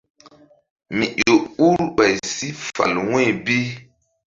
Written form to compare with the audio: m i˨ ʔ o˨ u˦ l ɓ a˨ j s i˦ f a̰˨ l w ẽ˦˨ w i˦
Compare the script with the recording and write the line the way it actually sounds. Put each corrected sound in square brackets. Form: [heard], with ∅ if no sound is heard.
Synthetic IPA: m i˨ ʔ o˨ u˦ [ɾ] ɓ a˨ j s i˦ f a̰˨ l w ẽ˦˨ [b] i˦